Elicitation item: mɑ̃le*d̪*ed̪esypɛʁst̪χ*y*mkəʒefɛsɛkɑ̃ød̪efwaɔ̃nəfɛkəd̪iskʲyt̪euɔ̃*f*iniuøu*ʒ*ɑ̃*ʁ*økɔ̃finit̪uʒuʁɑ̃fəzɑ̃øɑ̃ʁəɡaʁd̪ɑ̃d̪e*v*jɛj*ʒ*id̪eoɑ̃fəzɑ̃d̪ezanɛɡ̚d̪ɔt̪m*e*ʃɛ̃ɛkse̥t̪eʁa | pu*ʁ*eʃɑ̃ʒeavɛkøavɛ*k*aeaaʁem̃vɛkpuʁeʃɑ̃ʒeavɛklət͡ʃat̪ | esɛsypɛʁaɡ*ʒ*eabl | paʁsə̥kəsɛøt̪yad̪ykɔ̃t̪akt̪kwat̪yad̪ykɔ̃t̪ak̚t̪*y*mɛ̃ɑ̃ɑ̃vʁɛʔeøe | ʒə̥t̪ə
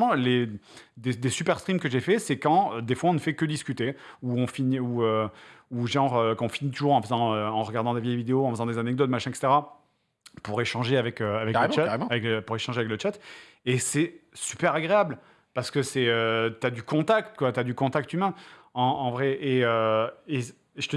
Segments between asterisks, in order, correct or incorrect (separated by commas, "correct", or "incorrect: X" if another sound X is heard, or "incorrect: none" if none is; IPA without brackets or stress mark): correct, incorrect: i, correct, correct, correct, correct, incorrect: v, incorrect: a, correct, correct, incorrect: ʁ, correct